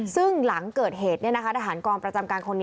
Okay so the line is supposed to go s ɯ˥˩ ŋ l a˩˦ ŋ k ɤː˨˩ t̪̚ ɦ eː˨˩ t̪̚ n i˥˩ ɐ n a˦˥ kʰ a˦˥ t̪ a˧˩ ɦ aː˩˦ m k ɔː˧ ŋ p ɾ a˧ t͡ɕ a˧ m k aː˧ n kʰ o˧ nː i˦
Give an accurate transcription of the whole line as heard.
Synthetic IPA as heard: s ɯ˥˩ ŋ l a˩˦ ŋ k ɤː˨˩ t̪̚ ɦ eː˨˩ t̪̚ n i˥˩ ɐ n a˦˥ kʰ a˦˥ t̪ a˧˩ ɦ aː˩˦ n k ɔː˧ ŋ p ɾ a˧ t͡ɕ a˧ m k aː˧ n kʰ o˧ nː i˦